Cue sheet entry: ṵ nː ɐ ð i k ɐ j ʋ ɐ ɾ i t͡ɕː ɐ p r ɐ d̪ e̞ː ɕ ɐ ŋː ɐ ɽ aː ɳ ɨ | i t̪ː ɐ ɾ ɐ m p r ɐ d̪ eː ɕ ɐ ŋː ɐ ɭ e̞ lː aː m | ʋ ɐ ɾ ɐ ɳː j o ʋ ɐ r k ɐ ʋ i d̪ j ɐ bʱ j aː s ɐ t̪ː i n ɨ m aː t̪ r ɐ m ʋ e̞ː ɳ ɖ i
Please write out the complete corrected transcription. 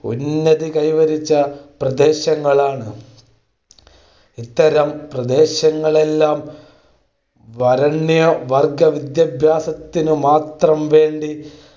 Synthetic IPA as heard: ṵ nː ɐ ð i k ɐ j ʋ ɐ ɾ i t͡ɕː ɐ p r ɐ d̪ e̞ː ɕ ɐ ŋː ɐ ɭ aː ɳ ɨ | i t̪ː ɐ ɾ ɐ m p r ɐ d̪ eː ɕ ɐ ŋː ɐ ɭ e̞ lː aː m | ʋ ɐ ɾ ɐ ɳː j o ʋ ɐ r ɡ ɐ ʋ i d̪ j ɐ bʱ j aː s ɐ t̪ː i n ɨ m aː t̪ r ɐ m ʋ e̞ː ɳ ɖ i

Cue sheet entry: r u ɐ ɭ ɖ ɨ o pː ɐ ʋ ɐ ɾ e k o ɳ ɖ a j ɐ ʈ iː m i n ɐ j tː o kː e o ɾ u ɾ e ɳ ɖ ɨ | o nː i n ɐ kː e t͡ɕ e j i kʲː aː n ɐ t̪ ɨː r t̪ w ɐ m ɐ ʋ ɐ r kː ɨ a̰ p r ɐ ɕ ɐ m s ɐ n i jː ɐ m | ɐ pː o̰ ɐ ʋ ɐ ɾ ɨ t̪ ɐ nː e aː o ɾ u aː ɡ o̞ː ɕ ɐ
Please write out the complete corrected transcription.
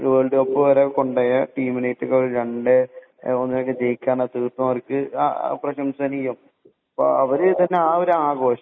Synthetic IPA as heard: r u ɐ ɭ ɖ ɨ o pː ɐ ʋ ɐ ɾ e k o ɳ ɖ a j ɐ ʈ iː m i n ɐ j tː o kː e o ɾ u ɾ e ɳ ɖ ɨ | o nː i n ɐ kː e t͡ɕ e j i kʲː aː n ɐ t̪ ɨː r t̪ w ɐ m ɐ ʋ ɐ r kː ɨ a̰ p r ɐ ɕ ɐ m s ɐ n i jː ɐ m | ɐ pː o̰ ɐ ʋ ɐ ɾ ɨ t̪ ɐ nː e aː o ɾ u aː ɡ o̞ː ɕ ɐ

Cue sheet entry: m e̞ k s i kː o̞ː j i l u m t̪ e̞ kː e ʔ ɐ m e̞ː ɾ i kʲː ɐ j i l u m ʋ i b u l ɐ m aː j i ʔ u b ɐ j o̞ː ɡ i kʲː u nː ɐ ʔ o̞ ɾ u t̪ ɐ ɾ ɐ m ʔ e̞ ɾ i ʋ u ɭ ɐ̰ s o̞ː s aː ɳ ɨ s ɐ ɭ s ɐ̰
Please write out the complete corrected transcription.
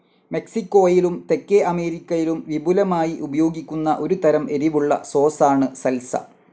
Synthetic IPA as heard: m e̞ k s i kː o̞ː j i l u m t̪ e̞ kː e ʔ ɐ m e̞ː ɾ i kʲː ɐ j i l u m ʋ i b u l ɐ m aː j i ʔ u b ɐ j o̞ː ɡ i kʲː u nː ɐ ʔ o̞ ɾ u t̪ ɐ ɾ ɐ m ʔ e̞ ɾ i ʋ u ɭː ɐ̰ s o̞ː s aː ɳ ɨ s ɐ l s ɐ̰

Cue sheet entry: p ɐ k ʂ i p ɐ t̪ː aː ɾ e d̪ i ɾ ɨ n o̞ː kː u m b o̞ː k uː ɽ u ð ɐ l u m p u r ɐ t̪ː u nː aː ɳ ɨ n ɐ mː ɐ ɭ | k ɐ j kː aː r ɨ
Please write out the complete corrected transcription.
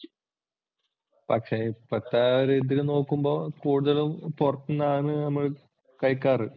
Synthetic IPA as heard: p ɐ k ʂ e p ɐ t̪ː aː ɾ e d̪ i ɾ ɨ n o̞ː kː u m b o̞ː k uː ɽ u ð ɐ l u m p u r ɐ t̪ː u nː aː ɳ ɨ n ɐ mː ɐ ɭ | k ɐ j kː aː r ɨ

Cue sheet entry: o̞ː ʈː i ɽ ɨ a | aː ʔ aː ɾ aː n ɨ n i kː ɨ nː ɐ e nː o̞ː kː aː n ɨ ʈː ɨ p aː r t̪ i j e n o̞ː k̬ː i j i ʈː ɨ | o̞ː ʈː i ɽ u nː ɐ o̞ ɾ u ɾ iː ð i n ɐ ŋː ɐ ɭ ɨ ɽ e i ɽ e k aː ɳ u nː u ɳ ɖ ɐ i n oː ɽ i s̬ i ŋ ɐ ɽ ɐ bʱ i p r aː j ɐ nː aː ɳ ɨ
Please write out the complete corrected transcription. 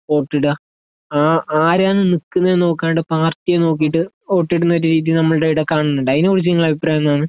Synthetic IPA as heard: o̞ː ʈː i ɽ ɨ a | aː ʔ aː ɾ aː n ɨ n i kː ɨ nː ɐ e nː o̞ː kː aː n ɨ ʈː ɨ p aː r t̪ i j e n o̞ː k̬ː i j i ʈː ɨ | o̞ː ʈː i ɽ u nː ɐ o̞ ɾ u ɾ iː ð i n ɐ mː ɐ ɭ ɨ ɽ e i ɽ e k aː ɳ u nː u ɳ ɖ ɐ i n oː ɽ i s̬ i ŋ ɐ ɭ ɐ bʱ i p r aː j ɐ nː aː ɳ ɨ

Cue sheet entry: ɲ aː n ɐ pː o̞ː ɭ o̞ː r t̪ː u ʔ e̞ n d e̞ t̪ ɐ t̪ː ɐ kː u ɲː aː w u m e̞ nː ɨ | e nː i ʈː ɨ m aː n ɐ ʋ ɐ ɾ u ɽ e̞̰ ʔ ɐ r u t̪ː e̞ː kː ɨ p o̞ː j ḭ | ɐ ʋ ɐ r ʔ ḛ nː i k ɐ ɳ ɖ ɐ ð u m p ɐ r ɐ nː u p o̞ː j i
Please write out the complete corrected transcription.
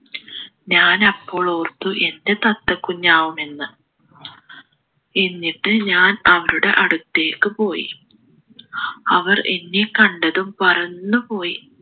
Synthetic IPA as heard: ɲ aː n ɐ pː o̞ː ɭ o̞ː r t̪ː u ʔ e̞ n d e̞ t̪ ɐ t̪ː ɐ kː u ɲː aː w u m e̞ nː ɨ | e nː i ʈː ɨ ɲ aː n ɐ ʋ ɐ ɾ u ɽ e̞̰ ʔ ɐ ɽ u t̪ː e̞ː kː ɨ p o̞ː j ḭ | ɐ ʋ ɐ r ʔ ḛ nː i k ɐ ɳ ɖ ɐ ð u m p ɐ r ɐ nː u p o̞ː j i

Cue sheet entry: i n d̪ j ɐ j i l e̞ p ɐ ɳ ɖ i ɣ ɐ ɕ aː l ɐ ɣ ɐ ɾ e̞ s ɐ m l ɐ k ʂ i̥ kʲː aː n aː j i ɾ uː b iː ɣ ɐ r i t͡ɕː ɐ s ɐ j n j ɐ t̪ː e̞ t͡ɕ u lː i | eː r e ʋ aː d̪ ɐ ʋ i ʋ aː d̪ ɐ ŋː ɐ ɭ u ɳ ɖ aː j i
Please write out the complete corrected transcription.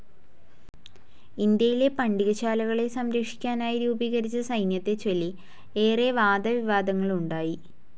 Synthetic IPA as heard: i n d̪ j ɐ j i l e̞ p ɐ ɳ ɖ i ɣ ɐ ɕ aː l ɐ ɣ ɐ ɭ e̞ s ɐ m ɾ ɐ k ʂ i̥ kʲː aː n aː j i ɾ uː b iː ɣ ɐ ɾ i t͡ɕː ɐ s ɐ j n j ɐ t̪ː e̞ t͡ɕ o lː i | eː r e ʋ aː d̪ ɐ ʋ i ʋ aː d̪ ɐ ŋː ɐ ɭ u ɳ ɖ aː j i

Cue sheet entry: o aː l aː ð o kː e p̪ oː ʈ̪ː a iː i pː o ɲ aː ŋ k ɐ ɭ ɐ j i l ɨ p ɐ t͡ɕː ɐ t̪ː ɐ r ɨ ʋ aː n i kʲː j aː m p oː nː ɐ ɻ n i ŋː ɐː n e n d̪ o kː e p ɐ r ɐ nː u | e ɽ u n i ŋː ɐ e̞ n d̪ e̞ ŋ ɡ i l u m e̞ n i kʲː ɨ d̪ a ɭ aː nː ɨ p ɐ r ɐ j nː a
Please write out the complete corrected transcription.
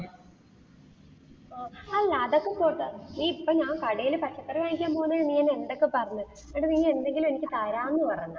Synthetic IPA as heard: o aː l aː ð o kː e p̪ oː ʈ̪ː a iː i pː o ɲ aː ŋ k ɐ ɽ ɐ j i l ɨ p ɐ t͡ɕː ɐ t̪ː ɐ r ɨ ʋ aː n i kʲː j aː m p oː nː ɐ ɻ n i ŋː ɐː n e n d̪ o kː e p ɐ r ɐ ɲː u | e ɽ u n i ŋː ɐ e̞ n d̪ e̞ ŋ ɡ i l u m e̞ n i kʲː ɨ t̪ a ɾ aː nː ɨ p ɐ r ɐ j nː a

